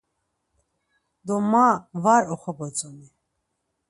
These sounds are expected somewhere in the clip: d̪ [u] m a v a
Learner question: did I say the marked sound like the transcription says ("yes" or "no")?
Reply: no